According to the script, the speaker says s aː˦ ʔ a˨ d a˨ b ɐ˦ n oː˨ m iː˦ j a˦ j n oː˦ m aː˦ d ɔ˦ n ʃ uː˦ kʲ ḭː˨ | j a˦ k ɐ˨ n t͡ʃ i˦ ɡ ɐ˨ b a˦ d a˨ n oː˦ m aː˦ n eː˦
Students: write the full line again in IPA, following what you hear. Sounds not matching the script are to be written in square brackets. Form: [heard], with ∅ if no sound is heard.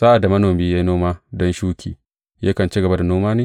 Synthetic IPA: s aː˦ ʔ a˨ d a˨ [m] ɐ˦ n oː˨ m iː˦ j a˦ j n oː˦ m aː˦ d ɔ˦ n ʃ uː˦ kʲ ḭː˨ | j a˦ k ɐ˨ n t͡ʃ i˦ ɡ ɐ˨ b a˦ d a˨ n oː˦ m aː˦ n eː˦